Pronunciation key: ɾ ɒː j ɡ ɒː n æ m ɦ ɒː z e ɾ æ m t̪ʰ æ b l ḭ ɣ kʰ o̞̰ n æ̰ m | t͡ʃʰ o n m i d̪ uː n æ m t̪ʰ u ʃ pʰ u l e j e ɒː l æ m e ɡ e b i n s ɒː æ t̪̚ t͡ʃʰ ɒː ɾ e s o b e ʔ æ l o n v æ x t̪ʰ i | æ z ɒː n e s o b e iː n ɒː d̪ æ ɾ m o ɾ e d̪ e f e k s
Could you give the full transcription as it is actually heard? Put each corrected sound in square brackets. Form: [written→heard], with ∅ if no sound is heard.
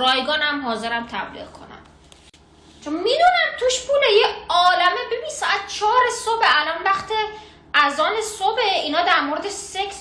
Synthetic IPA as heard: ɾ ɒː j ɡ ɒː n æ m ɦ ɒː z e ɾ æ m t̪ʰ æ b l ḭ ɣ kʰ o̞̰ n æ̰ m | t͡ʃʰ o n m i d̪ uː n æ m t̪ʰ u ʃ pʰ u l e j e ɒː l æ m e [ɡ→b] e b i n s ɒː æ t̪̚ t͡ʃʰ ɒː ɾ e s o b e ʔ æ l [o→ɒ] n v æ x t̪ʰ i | æ z ɒː n e s o b e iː n ɒː d̪ æ ɾ m o ɾ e d̪ e [f→s] e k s